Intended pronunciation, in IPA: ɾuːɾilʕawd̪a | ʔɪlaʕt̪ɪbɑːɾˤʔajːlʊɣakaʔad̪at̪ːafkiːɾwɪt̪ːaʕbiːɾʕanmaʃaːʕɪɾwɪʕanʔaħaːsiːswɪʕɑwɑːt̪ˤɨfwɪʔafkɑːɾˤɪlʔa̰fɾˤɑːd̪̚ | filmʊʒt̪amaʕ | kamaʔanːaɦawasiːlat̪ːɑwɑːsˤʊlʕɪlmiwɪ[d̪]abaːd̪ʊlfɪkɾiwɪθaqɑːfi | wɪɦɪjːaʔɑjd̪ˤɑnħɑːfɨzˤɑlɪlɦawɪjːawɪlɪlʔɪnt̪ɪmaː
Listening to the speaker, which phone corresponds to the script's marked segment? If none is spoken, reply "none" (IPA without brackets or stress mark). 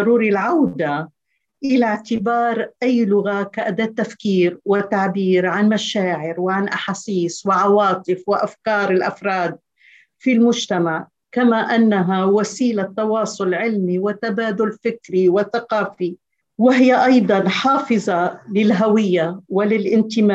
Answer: t̪